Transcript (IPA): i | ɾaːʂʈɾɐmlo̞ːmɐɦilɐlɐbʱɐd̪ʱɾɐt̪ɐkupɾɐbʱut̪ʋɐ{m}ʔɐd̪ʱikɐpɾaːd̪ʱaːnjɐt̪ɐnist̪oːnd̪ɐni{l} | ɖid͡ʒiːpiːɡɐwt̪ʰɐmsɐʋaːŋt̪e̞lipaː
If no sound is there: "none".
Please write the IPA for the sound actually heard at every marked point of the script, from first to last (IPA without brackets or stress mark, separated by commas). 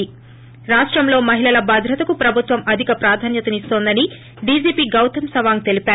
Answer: m, none